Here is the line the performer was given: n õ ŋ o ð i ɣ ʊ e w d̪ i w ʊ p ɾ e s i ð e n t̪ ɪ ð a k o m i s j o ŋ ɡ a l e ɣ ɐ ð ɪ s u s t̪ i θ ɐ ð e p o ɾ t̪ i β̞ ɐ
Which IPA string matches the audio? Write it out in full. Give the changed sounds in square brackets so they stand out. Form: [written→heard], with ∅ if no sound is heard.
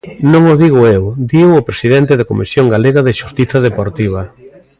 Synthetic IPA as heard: n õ ŋ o ð i ɣ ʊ e w d̪ i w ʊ p ɾ e s i ð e n t̪ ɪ ð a k o m i s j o ŋ ɡ a l e ɣ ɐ ð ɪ [s→ʃ] u s t̪ i θ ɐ ð e p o ɾ t̪ i β̞ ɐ